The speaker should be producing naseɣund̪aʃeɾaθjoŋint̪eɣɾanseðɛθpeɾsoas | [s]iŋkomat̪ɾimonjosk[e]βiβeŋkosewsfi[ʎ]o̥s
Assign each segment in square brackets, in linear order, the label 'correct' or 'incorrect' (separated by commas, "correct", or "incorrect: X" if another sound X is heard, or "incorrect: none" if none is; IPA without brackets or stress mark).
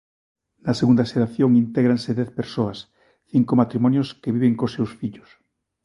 incorrect: θ, correct, correct